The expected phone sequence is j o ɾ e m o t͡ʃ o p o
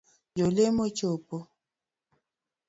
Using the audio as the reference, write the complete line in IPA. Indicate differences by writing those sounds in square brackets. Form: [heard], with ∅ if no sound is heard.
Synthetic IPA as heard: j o [l] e m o t͡ʃ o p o